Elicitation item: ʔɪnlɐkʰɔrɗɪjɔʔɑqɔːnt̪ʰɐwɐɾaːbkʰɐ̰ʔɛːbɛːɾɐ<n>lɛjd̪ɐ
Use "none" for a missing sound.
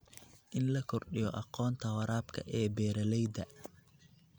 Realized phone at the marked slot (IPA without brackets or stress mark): none